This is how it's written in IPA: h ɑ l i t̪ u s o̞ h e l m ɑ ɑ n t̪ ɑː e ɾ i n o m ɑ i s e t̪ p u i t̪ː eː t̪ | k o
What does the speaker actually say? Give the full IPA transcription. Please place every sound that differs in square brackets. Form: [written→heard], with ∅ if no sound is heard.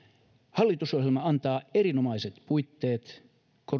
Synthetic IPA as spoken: h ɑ [l→lː] i t̪ u s o̞ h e l m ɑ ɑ n t̪ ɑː e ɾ i n o m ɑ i s e t̪ p u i t̪ː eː t̪ | k o